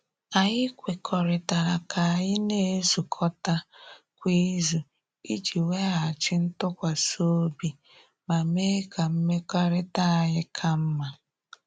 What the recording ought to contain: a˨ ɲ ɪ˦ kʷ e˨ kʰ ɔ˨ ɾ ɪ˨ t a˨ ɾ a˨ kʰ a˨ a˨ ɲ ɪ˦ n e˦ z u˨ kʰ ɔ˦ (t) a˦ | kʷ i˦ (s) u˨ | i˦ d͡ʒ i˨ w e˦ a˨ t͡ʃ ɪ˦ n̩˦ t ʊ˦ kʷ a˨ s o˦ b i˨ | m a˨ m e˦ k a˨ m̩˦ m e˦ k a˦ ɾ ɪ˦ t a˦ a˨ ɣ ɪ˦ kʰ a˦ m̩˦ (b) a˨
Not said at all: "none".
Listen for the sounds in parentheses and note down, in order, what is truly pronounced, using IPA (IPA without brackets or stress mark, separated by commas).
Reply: t, z, m